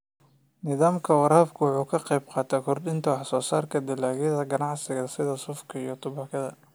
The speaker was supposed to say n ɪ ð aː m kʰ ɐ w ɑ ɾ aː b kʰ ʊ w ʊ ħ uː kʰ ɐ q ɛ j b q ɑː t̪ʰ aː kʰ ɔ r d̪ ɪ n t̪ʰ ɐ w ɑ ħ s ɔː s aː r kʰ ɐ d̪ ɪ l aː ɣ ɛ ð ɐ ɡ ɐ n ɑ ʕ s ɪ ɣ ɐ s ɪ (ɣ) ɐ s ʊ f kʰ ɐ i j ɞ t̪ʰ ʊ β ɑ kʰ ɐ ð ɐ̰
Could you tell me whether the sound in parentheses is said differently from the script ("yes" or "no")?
yes